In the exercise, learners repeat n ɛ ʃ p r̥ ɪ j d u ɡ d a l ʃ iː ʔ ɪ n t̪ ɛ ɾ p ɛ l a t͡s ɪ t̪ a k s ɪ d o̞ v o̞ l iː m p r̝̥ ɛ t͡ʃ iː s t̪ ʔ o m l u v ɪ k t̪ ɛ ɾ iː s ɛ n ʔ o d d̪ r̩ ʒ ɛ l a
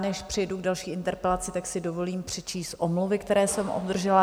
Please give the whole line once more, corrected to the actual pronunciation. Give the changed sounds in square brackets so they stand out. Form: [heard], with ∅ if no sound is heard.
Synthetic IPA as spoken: n ɛ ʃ p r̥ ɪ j d u ɡ d a l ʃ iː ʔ ɪ n t̪ ɛ ɾ p ɛ l a t͡s ɪ t̪ a k s ɪ d o̞ v o̞ l iː m p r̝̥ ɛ t͡ʃ iː s t̪ ʔ o m l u v ɪ k t̪ ɛ ɾ [ɛː] s ɛ [m] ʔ o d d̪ r̩ ʒ ɛ l a